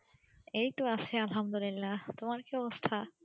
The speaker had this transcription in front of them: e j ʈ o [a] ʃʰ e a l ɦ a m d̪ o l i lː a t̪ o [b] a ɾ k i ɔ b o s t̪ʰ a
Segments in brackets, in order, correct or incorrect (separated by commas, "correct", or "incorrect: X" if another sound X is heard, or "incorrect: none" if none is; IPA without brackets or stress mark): correct, incorrect: m